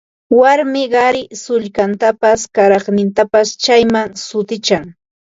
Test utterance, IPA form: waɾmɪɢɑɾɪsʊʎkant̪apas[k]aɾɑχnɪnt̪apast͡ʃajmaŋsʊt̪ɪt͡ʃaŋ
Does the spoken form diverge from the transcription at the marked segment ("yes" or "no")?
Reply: no